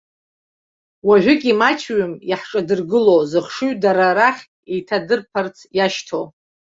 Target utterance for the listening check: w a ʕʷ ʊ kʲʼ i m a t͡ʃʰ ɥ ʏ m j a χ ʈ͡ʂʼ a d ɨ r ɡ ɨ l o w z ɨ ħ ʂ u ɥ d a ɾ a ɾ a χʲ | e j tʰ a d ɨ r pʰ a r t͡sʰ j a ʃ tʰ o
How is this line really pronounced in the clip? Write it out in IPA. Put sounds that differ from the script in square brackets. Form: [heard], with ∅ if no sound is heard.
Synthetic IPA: w a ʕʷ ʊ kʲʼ i m a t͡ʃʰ ɥ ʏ m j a [ħ] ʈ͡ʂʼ a d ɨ r ɡ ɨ l o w z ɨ [χ] ʂ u ɥ d a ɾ a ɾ a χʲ | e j tʰ a d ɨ r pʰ a r t͡sʰ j a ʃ tʰ o